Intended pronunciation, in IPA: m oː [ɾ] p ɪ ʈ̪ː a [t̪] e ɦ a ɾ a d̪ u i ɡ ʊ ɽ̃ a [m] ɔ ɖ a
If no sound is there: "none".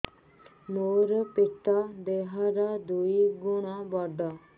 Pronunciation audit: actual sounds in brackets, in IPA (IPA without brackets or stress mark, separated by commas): ɾ, d̪, b